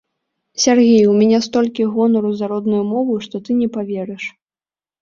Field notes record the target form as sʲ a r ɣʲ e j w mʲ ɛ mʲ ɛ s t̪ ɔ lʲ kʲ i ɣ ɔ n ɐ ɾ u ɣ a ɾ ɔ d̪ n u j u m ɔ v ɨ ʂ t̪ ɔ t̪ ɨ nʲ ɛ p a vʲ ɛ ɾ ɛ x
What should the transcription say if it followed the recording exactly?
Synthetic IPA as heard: sʲ a r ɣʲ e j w mʲ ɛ nʲ ɛ s t̪ ɔ lʲ kʲ i ɣ ɔ n ɐ ɾ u z a ɾ ɔ d̪ n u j u m ɔ v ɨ ʂ t̪ ɔ t̪ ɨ nʲ ɛ p a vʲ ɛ ɾ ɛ ʂ